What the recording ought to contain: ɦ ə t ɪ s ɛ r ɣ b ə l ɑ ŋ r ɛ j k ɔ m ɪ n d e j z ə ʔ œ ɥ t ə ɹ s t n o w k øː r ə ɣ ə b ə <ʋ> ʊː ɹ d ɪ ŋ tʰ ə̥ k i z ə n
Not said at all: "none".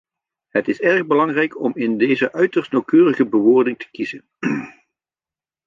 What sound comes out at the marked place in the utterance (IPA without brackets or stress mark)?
ʋ